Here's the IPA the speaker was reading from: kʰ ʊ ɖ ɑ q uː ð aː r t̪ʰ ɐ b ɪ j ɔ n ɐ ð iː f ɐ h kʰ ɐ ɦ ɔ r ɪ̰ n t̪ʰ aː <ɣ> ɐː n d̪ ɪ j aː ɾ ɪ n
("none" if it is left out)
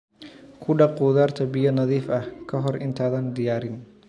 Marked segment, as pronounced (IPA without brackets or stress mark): ð